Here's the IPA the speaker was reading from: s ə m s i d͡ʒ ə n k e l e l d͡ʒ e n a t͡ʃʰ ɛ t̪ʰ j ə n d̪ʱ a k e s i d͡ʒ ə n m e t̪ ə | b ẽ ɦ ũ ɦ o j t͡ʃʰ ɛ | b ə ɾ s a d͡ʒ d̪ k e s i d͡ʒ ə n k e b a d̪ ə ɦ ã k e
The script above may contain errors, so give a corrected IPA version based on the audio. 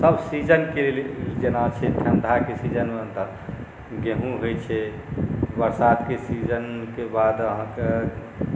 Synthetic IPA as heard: s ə b s i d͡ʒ ə n k e l e l d͡ʒ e n a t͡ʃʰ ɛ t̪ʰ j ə n d̪ʱ a k e s i d͡ʒ ə n m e t̪ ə | ɡ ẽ ɦ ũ ɦ o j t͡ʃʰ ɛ | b ə ɾ s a d̪ k e s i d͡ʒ ə n k e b a d̪ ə ɦ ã k e